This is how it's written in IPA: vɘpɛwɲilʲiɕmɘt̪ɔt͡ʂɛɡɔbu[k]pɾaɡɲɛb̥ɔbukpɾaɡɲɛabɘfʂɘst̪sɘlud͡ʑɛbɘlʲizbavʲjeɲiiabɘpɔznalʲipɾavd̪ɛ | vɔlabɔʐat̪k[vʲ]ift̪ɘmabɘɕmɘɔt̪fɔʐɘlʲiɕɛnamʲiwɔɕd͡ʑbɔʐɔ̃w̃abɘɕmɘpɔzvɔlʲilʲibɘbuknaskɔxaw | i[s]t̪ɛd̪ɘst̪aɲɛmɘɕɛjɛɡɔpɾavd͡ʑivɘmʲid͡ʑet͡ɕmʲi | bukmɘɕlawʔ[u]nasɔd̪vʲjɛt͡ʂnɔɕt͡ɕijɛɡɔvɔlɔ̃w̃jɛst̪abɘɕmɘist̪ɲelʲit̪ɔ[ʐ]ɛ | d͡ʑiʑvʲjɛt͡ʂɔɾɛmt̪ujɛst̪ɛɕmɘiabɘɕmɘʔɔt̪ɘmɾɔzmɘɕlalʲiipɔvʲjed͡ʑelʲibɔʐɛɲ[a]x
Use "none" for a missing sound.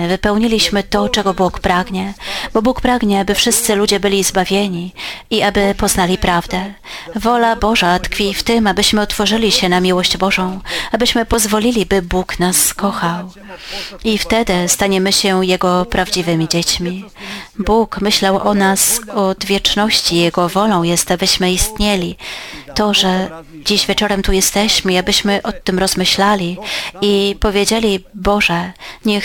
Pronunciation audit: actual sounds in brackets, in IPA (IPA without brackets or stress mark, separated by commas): k, fʲ, f, ɔ, ʐ, ɛ